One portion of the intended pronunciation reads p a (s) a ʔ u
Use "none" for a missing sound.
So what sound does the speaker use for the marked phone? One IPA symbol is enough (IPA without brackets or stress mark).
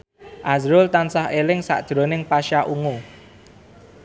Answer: ʃ